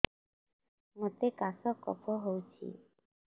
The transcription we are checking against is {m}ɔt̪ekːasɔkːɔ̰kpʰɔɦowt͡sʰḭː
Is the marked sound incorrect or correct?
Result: incorrect